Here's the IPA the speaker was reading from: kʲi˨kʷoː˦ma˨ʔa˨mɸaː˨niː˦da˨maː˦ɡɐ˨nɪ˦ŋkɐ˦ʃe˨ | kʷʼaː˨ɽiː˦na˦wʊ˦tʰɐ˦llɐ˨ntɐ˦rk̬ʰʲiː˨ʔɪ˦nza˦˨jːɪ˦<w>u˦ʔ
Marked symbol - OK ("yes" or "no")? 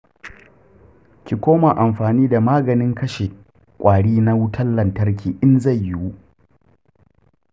yes